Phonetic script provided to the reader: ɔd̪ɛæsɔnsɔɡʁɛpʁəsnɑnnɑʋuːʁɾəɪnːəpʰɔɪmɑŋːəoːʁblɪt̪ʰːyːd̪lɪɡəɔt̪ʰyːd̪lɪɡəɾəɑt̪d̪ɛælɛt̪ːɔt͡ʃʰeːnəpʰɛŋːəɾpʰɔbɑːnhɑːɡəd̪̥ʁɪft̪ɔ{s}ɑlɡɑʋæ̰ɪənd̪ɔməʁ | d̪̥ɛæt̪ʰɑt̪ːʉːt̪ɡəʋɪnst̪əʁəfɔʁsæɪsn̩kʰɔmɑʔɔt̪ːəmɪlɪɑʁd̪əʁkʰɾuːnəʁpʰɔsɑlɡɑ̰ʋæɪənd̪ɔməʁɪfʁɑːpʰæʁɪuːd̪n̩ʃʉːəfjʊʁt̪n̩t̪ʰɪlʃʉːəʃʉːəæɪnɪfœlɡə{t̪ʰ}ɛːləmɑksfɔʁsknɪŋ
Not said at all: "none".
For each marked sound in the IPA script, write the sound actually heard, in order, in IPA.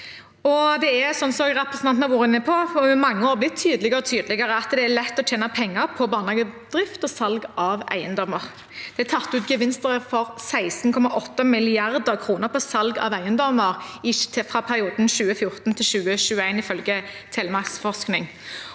s, t̪ʰ

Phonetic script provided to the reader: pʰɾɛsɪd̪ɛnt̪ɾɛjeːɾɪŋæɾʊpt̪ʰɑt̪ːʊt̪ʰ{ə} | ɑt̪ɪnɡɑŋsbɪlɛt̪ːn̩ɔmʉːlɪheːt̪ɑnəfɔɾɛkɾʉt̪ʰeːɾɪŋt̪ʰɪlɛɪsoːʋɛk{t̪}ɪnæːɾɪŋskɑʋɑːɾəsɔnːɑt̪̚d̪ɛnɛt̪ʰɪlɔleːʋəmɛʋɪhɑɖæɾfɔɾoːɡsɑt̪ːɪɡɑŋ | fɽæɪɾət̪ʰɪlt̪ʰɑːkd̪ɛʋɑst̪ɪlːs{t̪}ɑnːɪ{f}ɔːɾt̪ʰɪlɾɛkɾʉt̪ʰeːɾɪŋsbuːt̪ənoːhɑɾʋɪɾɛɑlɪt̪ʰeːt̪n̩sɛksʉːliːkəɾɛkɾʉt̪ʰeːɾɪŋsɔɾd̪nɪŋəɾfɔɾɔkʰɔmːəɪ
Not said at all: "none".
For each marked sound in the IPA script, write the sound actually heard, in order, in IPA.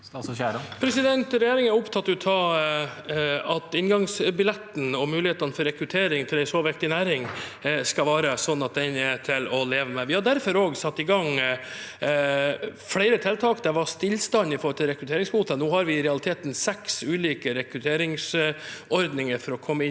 ɑ, t̪, t̪, f

